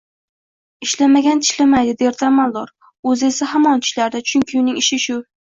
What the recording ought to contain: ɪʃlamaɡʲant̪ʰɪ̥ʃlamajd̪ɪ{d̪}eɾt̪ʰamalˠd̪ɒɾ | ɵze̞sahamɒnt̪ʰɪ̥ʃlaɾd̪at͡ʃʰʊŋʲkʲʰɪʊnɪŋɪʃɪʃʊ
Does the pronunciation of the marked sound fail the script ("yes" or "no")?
no